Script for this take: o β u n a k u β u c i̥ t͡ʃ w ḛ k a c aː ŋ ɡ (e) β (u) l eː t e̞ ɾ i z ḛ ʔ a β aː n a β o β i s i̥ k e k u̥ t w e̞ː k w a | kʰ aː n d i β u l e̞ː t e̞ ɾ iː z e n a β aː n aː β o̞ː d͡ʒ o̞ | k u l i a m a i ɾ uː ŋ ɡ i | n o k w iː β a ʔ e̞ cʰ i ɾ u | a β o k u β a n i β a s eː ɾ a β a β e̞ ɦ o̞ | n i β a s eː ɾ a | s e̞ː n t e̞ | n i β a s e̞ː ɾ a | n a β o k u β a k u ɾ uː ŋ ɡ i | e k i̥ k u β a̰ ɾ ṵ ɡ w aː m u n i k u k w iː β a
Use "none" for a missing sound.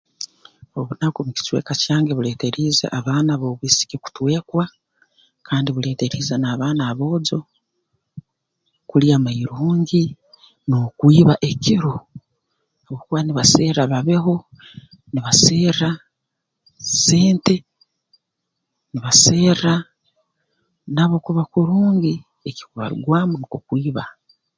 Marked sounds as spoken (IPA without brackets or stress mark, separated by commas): e, u